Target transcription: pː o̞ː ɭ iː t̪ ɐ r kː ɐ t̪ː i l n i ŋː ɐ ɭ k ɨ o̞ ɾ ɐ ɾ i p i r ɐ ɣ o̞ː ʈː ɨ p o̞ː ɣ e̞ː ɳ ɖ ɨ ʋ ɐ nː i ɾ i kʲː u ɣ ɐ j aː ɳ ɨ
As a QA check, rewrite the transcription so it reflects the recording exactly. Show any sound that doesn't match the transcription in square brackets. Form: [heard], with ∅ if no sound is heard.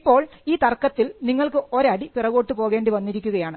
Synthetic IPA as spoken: pː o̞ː ɭ iː t̪ ɐ r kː ɐ t̪ː i l n i ŋː ɐ ɭ k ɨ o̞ ɾ ɐ [ɽ] i p i r ɐ ɣ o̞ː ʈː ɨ p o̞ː ɣ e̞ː ɳ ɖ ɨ ʋ ɐ nː i ɾ i kʲː u ɣ ɐ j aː ɳ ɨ